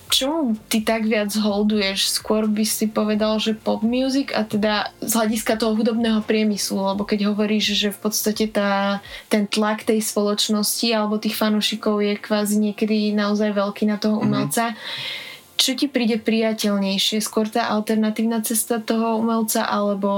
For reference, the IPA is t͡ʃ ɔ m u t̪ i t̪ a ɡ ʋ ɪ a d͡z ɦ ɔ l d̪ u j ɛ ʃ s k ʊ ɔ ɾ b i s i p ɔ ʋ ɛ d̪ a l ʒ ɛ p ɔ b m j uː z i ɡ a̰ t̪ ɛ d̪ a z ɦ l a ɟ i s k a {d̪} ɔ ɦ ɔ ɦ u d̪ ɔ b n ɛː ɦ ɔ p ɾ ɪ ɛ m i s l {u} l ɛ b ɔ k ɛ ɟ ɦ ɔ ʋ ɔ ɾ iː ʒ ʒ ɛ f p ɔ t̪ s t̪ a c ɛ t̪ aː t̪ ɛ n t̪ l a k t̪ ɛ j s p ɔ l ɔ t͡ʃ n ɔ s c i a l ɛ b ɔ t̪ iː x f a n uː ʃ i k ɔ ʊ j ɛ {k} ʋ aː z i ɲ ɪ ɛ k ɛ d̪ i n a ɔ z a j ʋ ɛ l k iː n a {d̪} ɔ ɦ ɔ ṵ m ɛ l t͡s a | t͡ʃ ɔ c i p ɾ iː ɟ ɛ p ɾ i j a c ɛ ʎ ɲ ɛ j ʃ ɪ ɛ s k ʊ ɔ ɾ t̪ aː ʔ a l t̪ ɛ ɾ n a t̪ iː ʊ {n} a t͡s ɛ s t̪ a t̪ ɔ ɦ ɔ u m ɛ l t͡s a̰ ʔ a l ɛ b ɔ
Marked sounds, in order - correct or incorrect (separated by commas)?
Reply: incorrect, correct, correct, incorrect, correct